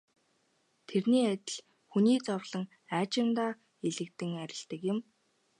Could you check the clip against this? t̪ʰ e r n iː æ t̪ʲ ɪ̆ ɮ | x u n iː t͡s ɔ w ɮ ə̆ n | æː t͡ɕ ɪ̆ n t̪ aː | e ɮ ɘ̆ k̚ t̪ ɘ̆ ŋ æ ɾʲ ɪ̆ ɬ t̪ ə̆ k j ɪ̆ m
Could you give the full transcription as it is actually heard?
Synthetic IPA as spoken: t̪ʰ e r n iː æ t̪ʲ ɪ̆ ɮ | x u n iː t͡s ɔ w ɮ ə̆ ŋ | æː t͡ɕ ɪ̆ n t̪ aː | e ɮ ɘ̆ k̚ t̪ ɘ̆ ŋ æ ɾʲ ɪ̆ ɬ t̪ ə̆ k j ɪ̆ m